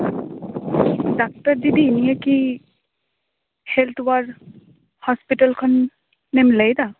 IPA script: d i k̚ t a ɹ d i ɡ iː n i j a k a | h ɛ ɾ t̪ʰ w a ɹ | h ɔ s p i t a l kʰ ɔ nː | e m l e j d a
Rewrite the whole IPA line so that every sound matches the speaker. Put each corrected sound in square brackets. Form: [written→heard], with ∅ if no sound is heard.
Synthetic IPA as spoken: d [i→a] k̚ t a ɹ d i [ɡ→d] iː n i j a k [a→i] | h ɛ [ɾ→l] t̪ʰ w a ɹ | h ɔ s p i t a l kʰ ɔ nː | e m l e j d a

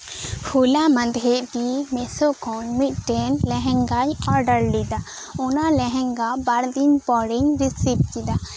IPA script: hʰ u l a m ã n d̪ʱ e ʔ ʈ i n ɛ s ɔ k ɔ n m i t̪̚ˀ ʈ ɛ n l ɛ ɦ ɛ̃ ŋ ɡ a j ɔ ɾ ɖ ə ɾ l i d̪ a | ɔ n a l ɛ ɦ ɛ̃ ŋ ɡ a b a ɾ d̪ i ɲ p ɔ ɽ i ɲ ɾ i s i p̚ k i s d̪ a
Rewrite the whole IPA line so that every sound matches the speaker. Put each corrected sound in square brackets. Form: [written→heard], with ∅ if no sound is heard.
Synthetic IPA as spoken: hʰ u l a m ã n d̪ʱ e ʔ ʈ i [n→m] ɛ s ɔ k ɔ n m i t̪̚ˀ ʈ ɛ n l ɛ ɦ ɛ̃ ŋ ɡ a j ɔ ɾ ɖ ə ɾ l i d̪ a | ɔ n a l ɛ ɦ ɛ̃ ŋ ɡ a b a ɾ d̪ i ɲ p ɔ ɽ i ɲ ɾ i s i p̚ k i [s→∅] d̪ a

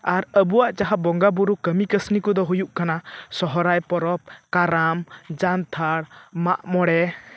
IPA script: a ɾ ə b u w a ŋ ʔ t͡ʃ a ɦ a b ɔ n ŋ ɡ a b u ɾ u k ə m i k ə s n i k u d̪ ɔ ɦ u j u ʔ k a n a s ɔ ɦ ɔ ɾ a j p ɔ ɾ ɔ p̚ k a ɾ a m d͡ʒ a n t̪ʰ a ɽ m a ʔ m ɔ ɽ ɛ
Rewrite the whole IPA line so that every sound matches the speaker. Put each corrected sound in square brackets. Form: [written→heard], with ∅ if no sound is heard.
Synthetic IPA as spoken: a ɾ ə b u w a [ŋ→∅] ʔ t͡ʃ a ɦ a b ɔ [n→∅] ŋ ɡ a b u ɾ u k ə m i k ə s n i k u d̪ ɔ ɦ u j u ʔ k a n a s ɔ ɦ ɔ ɾ a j p ɔ ɾ ɔ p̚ k a ɾ a m d͡ʒ a n t̪ʰ a ɽ m a ʔ m ɔ ɽ ɛ

